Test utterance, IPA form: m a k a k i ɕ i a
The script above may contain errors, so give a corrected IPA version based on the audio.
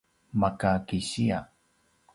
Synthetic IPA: m a k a k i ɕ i a